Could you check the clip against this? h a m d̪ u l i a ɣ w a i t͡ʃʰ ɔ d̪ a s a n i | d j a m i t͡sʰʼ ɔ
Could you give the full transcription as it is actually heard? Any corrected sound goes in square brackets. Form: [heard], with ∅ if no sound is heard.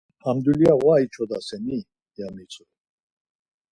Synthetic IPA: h a m d̪ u l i a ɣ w a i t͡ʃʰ ɔ d̪ a s [ɛ] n i | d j a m i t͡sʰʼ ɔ